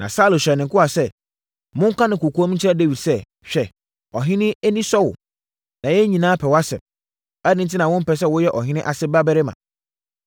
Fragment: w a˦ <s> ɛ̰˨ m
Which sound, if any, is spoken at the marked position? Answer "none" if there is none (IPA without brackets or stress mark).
s